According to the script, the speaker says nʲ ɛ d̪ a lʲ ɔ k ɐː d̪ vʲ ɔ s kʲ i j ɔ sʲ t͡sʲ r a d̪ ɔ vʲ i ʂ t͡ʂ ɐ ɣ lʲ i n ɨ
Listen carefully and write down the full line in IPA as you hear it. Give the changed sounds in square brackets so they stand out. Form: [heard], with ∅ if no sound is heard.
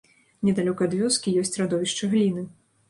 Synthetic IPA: nʲ ɛ d̪ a lʲ ɔ k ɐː d̪ vʲ ɔ s kʲ i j ɔ sʲ t͡sʲ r a d̪ ɔ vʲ i ʂ t͡ʂ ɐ ɣ lʲ i n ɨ

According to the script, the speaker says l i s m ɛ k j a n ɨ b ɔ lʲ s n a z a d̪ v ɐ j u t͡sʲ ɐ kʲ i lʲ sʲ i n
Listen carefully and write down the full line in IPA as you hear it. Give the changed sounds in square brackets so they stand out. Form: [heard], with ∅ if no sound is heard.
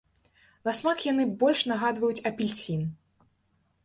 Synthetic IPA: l [a] s m [a] k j a n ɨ b ɔ lʲ [ʂ] n a [ɣ] a d̪ v ɐ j u t͡sʲ ɐ [pʲ] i lʲ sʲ i n

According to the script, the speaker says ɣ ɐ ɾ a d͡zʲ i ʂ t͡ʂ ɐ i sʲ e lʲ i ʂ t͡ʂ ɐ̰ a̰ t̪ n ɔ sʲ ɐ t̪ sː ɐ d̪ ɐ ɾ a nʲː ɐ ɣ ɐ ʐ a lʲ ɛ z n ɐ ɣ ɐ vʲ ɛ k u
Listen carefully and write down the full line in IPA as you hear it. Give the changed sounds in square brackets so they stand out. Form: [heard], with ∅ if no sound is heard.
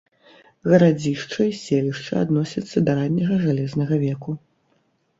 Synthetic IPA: ɣ ɐ ɾ a d͡zʲ i ʂ t͡ʂ ɐ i sʲ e lʲ i ʂ t͡ʂ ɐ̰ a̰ [d̪] n ɔ sʲ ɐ t̪ sː ɐ d̪ ɐ ɾ a nʲː ɐ ɣ ɐ ʐ a lʲ ɛ z n ɐ ɣ ɐ vʲ ɛ k u

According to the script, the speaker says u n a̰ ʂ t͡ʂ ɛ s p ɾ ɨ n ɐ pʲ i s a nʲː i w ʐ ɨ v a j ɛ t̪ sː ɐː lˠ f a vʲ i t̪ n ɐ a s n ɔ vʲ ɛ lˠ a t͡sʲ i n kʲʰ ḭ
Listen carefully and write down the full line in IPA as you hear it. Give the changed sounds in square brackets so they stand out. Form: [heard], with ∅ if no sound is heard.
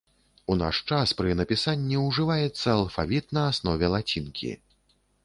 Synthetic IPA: u n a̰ ʂ t͡ʂ [a] s p ɾ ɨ n ɐ pʲ i s a nʲː i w ʐ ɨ v a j ɛ t̪ sː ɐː lˠ f a vʲ i t̪ n ɐ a s n ɔ vʲ ɛ lˠ a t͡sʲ i n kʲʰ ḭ

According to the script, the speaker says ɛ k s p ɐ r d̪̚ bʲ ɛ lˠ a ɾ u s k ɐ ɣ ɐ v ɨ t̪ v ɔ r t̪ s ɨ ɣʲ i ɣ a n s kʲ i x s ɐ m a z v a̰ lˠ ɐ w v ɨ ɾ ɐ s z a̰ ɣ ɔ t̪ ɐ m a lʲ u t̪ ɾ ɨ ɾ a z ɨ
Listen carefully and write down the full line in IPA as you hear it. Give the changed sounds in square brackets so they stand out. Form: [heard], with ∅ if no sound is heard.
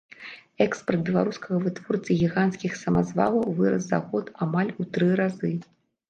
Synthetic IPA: ɛ k s p ɐ r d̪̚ bʲ ɛ lˠ a ɾ u s k ɐ ɣ ɐ v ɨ t̪ v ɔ r t̪ s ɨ ɣʲ i ɣ a n s kʲ i x s ɐ m a z v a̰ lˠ ɐ w v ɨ ɾ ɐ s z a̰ ɣ ɔ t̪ [a] m a lʲ u t̪ ɾ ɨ ɾ a z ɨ

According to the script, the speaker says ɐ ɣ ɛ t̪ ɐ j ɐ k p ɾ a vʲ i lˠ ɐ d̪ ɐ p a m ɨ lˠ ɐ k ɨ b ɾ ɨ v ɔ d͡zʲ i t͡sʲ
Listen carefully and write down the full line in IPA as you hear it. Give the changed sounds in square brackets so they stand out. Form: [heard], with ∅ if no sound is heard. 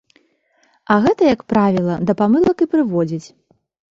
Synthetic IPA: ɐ ɣ ɛ t̪ ɐ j ɐ k p ɾ a vʲ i lˠ ɐ d̪ ɐ p a m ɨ lˠ ɐ k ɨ [p] ɾ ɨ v ɔ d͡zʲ i t͡sʲ

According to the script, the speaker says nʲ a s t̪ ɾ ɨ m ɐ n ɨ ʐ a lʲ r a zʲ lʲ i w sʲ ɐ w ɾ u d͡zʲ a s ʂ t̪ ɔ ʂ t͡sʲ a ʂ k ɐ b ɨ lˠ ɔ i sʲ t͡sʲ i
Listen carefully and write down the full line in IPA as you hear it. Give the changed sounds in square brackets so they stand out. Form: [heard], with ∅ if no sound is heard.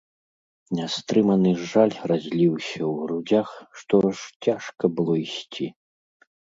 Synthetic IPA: nʲ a s t̪ ɾ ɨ m ɐ n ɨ ʐ a lʲ r a zʲ lʲ i w sʲ ɐ w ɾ u d͡zʲ a [x] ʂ t̪ ɔ ʂ t͡sʲ a ʂ k ɐ b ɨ lˠ ɔ i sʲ t͡sʲ i

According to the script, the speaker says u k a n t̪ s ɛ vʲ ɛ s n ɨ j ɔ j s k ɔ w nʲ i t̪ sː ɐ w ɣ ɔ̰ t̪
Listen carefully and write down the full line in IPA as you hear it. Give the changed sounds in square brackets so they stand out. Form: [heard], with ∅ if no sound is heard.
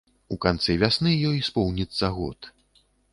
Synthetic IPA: u k a n t̪ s ɛ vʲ [a] s n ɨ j ɔ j s [p] ɔ w nʲ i t̪ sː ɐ [∅] ɣ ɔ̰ t̪

